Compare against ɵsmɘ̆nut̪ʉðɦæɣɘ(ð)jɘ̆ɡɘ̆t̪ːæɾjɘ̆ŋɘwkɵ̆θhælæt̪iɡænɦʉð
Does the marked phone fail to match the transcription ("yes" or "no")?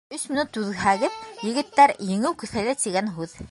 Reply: no